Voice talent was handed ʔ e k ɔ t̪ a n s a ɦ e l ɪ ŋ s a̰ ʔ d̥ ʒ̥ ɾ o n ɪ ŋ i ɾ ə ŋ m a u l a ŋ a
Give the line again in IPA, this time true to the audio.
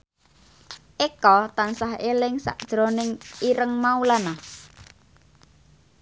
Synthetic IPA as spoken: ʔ e k ɔ t̪ a n s a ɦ e l ɪ ŋ s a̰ ʔ d̥ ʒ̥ ɾ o n ɪ ŋ i ɾ ə ŋ m a u l a n a